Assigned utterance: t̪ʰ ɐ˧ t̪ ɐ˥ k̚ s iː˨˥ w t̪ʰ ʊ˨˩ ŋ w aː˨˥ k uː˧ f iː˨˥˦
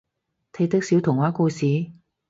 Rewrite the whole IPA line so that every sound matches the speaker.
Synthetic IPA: t̪ʰ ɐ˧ t̪ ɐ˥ k̚ s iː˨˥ w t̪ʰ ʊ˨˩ ŋ w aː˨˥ k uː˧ s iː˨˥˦